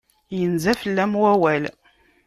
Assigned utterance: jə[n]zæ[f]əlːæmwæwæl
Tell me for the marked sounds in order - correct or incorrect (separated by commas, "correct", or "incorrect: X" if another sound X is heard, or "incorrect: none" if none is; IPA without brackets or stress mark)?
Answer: correct, correct